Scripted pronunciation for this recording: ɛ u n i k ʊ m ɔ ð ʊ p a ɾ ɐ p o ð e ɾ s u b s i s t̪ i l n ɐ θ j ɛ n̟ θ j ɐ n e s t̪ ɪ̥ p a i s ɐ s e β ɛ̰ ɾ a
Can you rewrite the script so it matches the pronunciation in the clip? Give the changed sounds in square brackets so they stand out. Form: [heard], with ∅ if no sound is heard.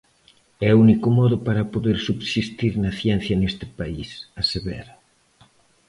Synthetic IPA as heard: ɛ u n i k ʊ m ɔ ð ʊ p a ɾ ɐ p o ð e ɾ s u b s i s t̪ i [ɾ] n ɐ θ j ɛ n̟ θ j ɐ n e s t̪ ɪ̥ p a i s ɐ s e β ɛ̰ ɾ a